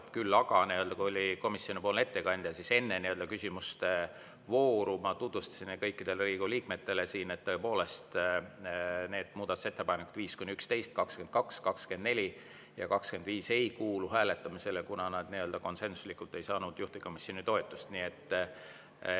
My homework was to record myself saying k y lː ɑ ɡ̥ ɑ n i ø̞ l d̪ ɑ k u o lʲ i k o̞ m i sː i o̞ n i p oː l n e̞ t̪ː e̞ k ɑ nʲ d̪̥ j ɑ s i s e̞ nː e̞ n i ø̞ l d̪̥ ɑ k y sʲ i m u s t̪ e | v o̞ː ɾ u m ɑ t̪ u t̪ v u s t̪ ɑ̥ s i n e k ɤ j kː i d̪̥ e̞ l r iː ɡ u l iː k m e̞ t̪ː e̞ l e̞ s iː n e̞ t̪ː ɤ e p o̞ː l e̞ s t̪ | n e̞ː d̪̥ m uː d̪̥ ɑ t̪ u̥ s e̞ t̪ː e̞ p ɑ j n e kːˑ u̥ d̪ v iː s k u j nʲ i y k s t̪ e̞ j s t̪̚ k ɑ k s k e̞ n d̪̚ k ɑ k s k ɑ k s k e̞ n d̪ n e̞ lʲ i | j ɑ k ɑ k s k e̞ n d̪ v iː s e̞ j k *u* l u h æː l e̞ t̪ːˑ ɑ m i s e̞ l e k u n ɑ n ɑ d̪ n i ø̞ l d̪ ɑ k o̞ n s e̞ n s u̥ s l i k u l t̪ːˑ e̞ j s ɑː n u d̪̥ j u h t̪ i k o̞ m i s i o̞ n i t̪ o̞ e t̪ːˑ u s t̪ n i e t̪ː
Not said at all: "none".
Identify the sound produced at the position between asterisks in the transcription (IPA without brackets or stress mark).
uː